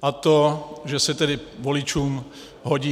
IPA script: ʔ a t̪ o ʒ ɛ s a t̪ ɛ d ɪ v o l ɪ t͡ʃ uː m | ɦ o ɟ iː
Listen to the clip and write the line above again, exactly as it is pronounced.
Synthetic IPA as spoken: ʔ a t̪ o ʒ ɛ s ɛ t̪ ɛ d ɪ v o l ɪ t͡ʃ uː m | ɦ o ɟ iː